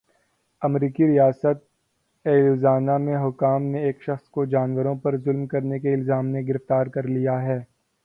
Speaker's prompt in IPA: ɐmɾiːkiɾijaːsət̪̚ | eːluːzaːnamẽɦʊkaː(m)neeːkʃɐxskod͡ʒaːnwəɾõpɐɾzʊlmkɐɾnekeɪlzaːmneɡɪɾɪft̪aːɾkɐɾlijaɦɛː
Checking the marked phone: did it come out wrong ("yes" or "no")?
no